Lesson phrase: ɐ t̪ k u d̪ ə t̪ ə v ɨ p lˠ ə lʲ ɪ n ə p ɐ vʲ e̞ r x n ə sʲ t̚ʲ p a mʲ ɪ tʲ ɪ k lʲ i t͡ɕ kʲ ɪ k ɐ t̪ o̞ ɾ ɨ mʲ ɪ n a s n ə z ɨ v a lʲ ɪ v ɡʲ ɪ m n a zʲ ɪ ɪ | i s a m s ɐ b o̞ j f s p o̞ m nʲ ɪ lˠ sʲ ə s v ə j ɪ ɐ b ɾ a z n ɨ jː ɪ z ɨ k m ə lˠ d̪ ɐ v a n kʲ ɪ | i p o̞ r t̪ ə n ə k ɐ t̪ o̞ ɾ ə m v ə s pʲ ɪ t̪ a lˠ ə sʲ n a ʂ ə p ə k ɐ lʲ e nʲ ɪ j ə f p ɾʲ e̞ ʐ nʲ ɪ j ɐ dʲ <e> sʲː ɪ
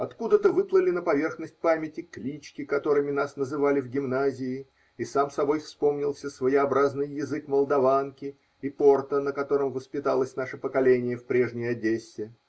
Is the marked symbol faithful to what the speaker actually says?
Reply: yes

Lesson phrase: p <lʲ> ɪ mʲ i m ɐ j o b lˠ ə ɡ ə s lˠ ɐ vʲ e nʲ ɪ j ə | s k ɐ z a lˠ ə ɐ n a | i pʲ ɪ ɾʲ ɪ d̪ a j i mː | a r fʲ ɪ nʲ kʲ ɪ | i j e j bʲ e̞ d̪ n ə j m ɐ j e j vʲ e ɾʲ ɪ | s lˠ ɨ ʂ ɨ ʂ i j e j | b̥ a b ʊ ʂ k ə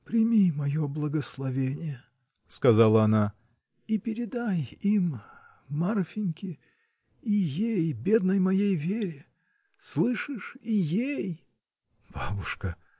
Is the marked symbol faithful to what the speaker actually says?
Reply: no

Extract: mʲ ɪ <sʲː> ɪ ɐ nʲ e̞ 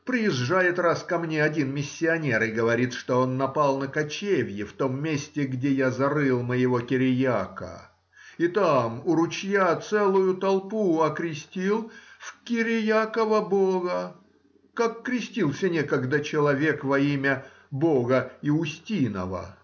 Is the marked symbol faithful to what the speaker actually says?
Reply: yes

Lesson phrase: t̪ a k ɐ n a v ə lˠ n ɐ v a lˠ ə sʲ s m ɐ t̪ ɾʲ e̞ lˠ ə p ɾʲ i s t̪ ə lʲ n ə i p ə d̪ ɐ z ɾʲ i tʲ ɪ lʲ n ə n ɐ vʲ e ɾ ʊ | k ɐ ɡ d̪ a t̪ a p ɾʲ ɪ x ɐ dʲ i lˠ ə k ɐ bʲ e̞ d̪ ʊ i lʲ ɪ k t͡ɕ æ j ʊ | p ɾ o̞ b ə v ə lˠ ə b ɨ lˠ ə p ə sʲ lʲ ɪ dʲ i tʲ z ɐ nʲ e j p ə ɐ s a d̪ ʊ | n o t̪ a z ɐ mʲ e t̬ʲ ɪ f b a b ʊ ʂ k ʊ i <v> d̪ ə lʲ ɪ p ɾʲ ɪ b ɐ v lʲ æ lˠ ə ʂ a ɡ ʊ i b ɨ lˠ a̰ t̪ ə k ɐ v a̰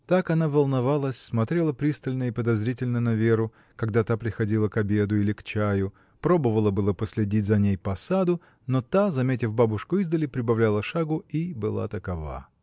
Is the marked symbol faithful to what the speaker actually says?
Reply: no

